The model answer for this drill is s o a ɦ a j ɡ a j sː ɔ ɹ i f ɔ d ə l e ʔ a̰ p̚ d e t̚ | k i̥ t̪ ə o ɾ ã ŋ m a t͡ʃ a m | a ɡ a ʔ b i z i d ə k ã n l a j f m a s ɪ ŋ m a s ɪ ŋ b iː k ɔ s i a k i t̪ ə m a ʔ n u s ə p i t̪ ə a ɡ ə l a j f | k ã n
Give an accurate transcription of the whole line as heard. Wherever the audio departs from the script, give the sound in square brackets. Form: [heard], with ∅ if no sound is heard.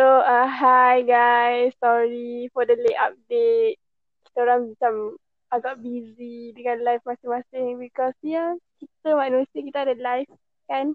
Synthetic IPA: s o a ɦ a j ɡ a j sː ɔ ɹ i f ɔ d ə l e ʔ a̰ p̚ d e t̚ | k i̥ t̪ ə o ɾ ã ŋ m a t͡ʃ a m | a ɡ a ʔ b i z i d ə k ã n l a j f m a s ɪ ŋ m a s ɪ ŋ b [i] k ɔ s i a k i t̪ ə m a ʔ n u s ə [k] i t̪ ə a [d] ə l a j f | k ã n